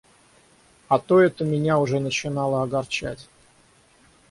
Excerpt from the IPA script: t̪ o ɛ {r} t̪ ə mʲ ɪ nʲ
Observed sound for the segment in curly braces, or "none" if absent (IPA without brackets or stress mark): none